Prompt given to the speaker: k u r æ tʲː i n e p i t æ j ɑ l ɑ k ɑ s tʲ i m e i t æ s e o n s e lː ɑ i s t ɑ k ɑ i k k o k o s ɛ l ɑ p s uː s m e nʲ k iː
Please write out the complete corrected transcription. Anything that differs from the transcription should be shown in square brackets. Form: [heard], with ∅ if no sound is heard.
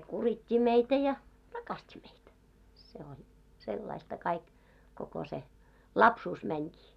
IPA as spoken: k u r [i] tʲː i [m] e [∅] i t æ j ɑ [r] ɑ k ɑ s tʲ i m e i t æ s e o n s e lː ɑ i s t ɑ k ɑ i k k o k o s [e] l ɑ p s uː s m [æ] nʲ k iː